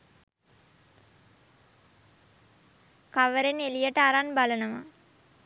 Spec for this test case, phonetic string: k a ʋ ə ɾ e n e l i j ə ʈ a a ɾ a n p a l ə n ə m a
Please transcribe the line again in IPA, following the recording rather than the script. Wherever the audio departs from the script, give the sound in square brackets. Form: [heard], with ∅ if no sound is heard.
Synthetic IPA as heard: k a ʋ ə ɾ e n e l i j ə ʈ [ə] a ɾ a n [b] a l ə n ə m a